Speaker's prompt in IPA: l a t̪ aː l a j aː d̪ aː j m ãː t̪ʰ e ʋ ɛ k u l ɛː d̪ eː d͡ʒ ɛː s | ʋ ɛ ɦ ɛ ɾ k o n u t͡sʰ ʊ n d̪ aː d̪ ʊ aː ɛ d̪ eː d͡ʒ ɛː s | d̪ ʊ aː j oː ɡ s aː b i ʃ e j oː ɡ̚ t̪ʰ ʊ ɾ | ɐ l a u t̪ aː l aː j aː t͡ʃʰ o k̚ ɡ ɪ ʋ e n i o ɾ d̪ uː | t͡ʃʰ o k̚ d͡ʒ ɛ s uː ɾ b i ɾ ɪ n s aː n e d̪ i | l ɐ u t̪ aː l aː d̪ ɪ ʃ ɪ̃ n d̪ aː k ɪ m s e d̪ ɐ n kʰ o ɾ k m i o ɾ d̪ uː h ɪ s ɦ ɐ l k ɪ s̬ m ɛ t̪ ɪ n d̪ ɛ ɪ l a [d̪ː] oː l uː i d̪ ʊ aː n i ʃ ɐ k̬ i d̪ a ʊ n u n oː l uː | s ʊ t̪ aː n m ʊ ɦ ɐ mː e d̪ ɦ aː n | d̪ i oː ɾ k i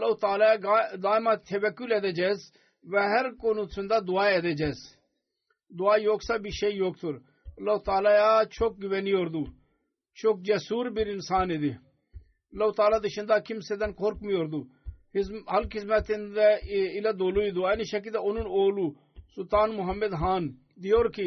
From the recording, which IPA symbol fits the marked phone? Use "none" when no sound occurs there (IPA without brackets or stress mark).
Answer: d̪